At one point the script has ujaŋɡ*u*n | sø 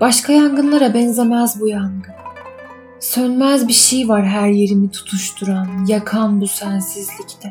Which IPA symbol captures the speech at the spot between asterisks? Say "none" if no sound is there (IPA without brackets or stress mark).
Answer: ɯ